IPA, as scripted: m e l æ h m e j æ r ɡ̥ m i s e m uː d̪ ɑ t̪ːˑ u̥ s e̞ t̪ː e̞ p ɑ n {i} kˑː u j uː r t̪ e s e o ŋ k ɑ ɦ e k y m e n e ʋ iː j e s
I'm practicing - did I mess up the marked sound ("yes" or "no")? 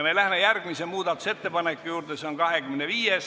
yes